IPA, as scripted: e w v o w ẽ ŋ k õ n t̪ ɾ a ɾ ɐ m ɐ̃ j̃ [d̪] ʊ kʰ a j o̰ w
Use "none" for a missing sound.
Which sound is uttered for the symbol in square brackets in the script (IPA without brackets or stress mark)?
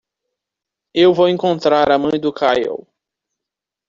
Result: d̪